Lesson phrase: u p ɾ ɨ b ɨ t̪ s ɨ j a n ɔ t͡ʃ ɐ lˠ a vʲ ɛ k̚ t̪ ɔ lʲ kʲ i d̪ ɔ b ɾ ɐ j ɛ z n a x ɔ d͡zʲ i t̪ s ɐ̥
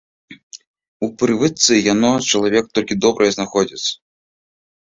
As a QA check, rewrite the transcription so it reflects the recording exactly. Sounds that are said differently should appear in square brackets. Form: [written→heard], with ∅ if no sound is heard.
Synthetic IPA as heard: u p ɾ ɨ [b→v] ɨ t̪ s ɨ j a n ɔ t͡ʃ ɐ lˠ a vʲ ɛ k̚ t̪ ɔ lʲ kʲ i d̪ ɔ b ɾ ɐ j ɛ z n a x ɔ d͡zʲ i t̪ s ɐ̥